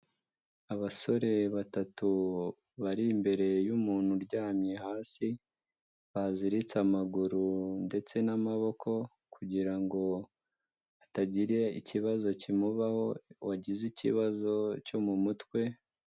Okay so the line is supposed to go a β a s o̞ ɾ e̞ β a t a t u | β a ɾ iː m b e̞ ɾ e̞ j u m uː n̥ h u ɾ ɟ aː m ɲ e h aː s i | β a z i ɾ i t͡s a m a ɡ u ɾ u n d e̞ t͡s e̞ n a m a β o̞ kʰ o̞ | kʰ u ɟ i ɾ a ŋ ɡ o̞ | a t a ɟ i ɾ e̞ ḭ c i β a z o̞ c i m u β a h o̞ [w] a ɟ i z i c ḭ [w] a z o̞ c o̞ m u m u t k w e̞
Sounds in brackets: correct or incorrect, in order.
correct, incorrect: β

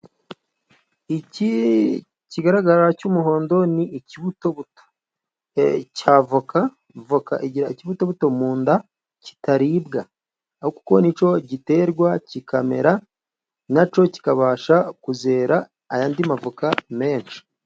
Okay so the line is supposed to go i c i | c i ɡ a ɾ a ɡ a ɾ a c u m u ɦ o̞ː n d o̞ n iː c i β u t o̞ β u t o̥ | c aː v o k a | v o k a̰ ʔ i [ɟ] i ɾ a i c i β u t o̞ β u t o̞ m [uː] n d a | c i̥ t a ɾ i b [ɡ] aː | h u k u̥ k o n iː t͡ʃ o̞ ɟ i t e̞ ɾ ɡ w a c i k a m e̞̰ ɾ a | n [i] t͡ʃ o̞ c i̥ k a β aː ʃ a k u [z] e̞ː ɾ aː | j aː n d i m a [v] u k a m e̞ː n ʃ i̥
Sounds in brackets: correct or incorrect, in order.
correct, correct, correct, incorrect: a, correct, correct

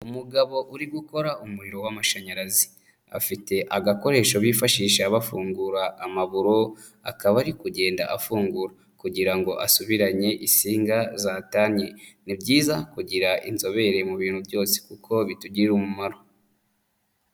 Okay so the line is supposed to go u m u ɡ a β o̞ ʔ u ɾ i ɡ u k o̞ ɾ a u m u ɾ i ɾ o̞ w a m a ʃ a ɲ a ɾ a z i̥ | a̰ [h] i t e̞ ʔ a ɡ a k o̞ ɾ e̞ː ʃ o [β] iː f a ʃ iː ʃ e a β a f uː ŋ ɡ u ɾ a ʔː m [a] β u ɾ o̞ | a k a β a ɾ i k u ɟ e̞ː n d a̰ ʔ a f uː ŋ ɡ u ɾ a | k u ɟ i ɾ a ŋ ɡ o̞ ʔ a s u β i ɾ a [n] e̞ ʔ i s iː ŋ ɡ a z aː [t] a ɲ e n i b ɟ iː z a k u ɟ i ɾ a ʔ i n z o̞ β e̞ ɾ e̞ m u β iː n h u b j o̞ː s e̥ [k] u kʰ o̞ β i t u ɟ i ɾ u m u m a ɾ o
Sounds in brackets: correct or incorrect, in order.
incorrect: f, correct, correct, incorrect: ɲ, correct, correct

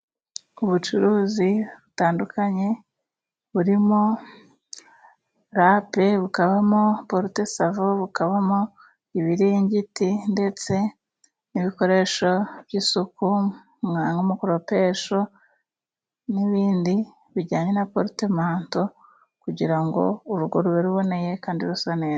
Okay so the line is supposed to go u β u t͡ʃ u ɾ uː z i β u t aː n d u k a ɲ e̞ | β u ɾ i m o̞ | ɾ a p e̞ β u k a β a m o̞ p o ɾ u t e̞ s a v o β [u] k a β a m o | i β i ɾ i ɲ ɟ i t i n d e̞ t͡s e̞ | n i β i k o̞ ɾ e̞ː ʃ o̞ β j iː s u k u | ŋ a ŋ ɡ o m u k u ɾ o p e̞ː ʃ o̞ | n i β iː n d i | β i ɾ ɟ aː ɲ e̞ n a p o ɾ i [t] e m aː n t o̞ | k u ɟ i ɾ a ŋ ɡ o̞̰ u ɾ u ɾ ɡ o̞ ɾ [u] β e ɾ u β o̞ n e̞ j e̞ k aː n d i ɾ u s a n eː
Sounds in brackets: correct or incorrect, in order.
correct, correct, correct

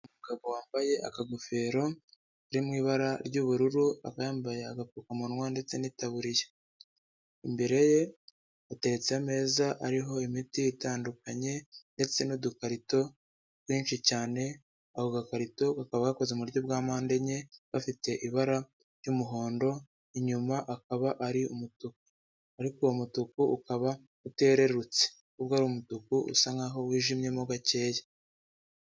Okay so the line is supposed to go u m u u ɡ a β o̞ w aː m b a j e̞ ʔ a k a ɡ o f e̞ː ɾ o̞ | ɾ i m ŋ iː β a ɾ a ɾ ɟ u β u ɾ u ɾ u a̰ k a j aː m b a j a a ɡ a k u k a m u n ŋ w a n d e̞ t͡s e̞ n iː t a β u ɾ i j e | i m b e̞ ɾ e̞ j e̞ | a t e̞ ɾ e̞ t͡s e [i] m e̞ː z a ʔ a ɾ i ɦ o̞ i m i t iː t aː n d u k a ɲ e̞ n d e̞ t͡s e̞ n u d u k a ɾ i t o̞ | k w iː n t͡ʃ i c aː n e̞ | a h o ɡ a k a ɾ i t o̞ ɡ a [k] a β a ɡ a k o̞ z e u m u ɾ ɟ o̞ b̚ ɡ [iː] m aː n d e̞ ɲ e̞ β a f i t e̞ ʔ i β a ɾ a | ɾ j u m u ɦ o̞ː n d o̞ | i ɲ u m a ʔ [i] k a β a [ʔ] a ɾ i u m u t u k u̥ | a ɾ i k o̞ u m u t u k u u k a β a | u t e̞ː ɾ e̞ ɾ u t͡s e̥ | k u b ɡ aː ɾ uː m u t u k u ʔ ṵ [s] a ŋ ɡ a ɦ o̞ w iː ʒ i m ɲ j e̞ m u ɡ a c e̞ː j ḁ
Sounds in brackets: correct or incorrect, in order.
incorrect: a, correct, incorrect: aː, incorrect: a, correct, correct

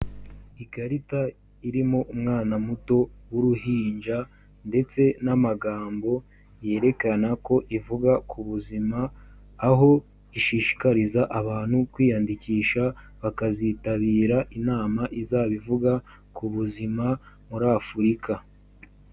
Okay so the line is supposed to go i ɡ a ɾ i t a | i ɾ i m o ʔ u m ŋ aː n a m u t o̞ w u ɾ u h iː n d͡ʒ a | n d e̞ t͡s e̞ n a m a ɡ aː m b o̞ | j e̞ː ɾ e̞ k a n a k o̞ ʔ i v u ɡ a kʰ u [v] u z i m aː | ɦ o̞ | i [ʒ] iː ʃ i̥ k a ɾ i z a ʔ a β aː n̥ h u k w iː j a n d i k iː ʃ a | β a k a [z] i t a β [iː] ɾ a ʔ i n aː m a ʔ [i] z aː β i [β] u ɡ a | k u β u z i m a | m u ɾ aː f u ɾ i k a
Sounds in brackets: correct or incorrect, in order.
incorrect: β, incorrect: ʃ, correct, correct, correct, incorrect: v

